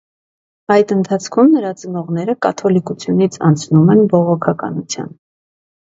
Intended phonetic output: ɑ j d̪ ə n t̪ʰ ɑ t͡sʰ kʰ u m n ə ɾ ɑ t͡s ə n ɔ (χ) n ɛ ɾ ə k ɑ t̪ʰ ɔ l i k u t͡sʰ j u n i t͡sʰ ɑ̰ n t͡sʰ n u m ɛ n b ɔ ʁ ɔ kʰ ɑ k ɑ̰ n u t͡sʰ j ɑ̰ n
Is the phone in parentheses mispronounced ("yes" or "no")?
yes